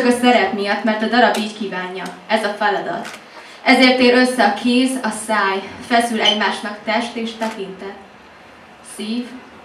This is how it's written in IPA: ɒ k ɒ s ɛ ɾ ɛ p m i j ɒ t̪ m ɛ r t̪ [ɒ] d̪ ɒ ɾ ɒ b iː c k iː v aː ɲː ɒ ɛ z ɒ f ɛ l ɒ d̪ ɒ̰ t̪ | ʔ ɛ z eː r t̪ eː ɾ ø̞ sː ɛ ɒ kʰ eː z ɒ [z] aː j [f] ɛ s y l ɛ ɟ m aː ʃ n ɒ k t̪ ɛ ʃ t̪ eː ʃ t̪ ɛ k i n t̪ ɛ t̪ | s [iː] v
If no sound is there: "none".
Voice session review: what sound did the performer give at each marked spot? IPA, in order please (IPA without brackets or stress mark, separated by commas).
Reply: ɒ, s, f, iː